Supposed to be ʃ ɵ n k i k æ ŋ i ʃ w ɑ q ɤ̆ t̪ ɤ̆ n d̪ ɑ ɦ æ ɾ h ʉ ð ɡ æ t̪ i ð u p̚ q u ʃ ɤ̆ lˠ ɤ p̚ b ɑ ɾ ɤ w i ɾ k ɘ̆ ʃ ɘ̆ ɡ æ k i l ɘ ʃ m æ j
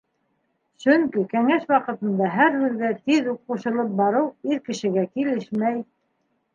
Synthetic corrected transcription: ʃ ɵ ŋ k i k æ ŋ æ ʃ w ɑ q ɤ̆ t̪ ɤ̆ n d̪ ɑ ɦ æ ɾ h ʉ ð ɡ æ t̪ i ð u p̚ q u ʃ ɤ̆ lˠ ɤ p̚ b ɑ ɾ ɤ w i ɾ k ɘ̆ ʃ ɘ̆ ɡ æ k i l ɘ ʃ m æ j

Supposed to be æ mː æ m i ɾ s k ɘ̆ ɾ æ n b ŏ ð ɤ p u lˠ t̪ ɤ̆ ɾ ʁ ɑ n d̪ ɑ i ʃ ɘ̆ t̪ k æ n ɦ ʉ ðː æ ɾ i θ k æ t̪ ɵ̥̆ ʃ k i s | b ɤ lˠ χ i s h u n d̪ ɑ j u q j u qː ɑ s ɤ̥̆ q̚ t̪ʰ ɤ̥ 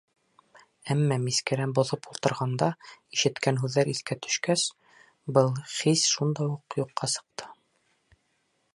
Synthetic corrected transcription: æ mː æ m i s k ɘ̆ ɾ æ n b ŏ ð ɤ p u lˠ t̪ ɤ̆ ɾ ʁ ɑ n d̪ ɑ i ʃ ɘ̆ t̪ k æ n ɦ ʉ ðː æ ɾ i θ k æ t̪ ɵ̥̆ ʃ k æ s | b ɤ lˠ χ i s ʃ u n d̪ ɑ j u q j u qː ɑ s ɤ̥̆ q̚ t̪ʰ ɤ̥

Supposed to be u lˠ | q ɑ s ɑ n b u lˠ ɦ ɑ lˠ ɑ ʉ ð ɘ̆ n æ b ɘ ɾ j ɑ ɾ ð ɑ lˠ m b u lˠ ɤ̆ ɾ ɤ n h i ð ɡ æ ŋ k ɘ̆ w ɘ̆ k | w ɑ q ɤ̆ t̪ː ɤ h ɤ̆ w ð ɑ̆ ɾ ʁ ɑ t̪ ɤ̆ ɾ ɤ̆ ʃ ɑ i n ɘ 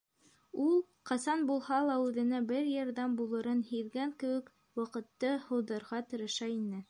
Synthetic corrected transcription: u lˠ | q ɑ s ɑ n b u lˠ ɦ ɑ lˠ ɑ ʉ ð ɘ̆ n æ b ɘ ɾ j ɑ ɾ ð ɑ m b u lˠ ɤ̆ ɾ ɤ n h i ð ɡ æ ŋ k ɘ̆ w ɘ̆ k | w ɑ q ɤ̆ t̪ː ɤ h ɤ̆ w ð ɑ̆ ɾ ʁ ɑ t̪ ɤ̆ ɾ ɤ̆ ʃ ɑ i n ɘ

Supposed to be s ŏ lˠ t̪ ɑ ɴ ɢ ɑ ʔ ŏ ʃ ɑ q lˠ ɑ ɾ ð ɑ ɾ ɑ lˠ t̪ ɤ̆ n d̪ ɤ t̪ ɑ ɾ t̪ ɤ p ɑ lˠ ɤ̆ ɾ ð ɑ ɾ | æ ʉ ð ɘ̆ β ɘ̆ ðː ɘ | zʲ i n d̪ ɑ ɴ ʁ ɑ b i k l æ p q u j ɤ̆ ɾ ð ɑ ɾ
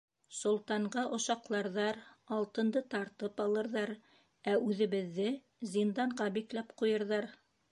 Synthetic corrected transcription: s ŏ lˠ t̪ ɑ ɴ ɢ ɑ ʔ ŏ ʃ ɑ q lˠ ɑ ɾ ð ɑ ɾ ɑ lˠ t̪ ɤ̆ n d̪ ɤ t̪ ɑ ɾ t̪ ɤ p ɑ lˠ ɤ̆ ɾ ð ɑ ɾ | æ ʉ ð ɘ̆ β ɘ̆ ðː ɘ | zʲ i n d̪ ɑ ɴ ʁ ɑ b i k l æ p q u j ɤ̆ ɾ ð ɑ ɾ

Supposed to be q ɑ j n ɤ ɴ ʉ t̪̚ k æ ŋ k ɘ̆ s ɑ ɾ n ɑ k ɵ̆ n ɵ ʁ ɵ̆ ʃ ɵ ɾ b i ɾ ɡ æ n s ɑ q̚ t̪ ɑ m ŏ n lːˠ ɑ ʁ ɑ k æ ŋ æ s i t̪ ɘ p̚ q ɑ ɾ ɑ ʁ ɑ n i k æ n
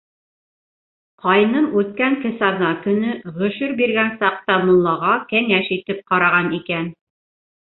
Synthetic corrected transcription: q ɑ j n ɤ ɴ ʉ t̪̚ k æ ŋ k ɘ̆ s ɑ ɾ n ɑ k ɵ̆ n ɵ ʁ ɵ̆ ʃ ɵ ɾ b i ɾ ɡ æ n s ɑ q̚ t̪ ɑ m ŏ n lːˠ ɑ ʁ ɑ k æ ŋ æ ʃ i t̪ ɘ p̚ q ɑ ɾ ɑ ʁ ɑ n i k æ n

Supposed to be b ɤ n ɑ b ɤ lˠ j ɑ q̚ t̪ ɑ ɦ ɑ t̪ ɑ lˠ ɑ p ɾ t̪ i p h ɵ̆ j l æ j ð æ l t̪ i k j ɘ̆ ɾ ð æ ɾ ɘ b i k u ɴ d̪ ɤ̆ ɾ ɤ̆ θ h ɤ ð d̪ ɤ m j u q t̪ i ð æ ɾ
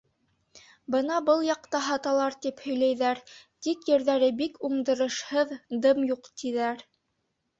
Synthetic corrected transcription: b ɤ n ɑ b ɤ lˠ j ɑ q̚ t̪ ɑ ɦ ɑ t̪ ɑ lˠ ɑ ɾ t̪ i p h ɵ̆ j l æ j ð æ ɾ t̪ i k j ɘ̆ ɾ ð æ ɾ ɘ b i k u ɴ d̪ ɤ̆ ɾ ɤ̆ ʃ h ɤ ð d̪ ɤ m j u q t̪ i ð æ ɾ

